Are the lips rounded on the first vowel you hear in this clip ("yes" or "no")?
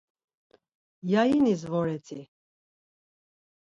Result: no